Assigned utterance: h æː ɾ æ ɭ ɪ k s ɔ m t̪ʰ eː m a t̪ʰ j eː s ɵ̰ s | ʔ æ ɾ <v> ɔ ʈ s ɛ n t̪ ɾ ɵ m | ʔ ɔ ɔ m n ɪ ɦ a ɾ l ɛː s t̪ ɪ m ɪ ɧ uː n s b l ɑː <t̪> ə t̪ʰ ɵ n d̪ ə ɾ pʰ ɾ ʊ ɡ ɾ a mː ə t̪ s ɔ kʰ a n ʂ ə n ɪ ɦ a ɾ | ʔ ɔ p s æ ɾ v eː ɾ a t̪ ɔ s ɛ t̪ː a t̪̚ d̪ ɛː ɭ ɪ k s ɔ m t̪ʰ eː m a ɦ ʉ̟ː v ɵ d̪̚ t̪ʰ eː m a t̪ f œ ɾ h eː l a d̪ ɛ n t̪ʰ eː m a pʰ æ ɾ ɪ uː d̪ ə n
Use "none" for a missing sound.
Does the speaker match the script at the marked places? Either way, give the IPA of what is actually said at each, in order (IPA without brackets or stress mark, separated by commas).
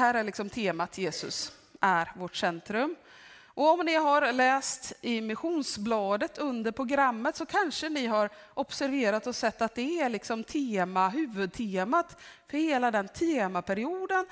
v, d̪